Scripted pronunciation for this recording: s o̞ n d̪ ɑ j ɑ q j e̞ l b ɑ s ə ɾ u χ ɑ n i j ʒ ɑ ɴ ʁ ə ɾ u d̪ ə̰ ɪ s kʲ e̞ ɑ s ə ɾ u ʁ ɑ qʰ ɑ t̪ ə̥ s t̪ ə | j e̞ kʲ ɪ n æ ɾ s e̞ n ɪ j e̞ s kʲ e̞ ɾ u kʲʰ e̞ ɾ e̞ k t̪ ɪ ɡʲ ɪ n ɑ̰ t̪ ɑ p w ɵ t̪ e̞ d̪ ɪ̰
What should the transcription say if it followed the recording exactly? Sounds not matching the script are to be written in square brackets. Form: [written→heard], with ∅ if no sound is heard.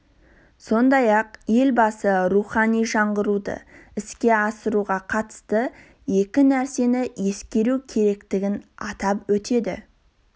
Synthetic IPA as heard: s o̞ n d̪ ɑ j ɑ q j e̞ l b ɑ s ə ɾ u χ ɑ n i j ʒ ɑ ɴ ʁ ə ɾ u d̪ ə̰ ɪ s kʲ e̞ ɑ s ə ɾ u ʁ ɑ qʰ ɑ t̪ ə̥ s t̪ ə | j e̞ kʲ ɪ n æ ɾ s e̞ n ɪ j e̞ s kʲ e̞ ɾ u kʲʰ e̞ ɾ e̞ k t̪ ɪ ɡʲ ɪ n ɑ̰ t̪ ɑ p w ɵ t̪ e̞ d̪ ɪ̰